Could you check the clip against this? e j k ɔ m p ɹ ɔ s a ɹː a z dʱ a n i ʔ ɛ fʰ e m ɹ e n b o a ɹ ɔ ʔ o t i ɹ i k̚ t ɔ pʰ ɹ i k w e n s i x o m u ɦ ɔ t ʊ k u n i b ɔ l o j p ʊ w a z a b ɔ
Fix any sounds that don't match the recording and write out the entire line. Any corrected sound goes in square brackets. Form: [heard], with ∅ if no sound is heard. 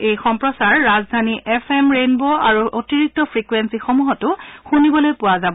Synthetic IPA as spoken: e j [x] ɔ m p ɹ ɔ s a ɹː a z dʱ a n i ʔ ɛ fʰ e m ɹ e n b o a ɹ [u] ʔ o t i ɹ i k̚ t ɔ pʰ ɹ i k w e n s i x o m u ɦ ɔ t ʊ [x] u n i b ɔ l o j p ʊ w a z a b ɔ

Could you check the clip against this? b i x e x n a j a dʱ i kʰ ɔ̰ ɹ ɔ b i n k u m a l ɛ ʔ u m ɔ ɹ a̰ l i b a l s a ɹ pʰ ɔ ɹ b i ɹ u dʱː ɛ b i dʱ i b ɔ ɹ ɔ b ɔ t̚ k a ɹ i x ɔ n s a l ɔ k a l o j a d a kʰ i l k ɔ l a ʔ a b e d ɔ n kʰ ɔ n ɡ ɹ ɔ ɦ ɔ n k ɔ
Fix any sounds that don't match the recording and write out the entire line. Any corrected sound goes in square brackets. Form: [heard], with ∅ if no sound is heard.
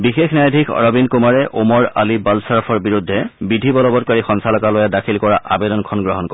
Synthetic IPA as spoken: b i x e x n a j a dʱ i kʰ ɔ̰ ɹ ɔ b i n k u m a [ɹ] ɛ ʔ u m ɔ ɹ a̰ l i b a l s a ɹ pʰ ɔ ɹ b i ɹ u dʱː ɛ b i dʱ i b ɔ [l] ɔ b ɔ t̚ k a ɹ i x ɔ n s a l ɔ k a l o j a d a kʰ i l k ɔ [ɹ] a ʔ a b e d ɔ n kʰ ɔ n ɡ ɹ ɔ ɦ ɔ n k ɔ

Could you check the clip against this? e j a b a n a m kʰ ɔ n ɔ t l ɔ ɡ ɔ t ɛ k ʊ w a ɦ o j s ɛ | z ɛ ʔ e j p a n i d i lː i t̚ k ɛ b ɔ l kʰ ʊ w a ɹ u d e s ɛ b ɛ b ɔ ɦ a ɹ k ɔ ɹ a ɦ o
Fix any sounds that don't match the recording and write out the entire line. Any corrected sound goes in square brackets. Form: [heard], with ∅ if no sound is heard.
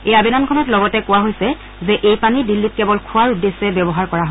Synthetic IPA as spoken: e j a b [i] n a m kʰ ɔ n ɔ t l ɔ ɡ ɔ t ɛ k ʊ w a ɦ o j s ɛ | z ɛ ʔ e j p a n i d i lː i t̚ k ɛ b ɔ l kʰ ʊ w a ɹ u d e s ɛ b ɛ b ɔ ɦ a ɹ k ɔ ɹ a ɦ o

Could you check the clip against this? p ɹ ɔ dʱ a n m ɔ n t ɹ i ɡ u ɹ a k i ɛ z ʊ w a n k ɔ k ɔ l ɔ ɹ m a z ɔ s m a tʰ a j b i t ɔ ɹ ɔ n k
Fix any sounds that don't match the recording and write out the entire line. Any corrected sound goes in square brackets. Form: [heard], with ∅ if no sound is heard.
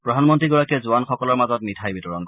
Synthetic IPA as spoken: p ɹ ɔ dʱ a n m ɔ n t ɹ i ɡ [ɔ] ɹ a k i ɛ z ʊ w a n [x] ɔ k ɔ l ɔ ɹ m a z ɔ [t] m [i] tʰ a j b i t ɔ ɹ ɔ n k

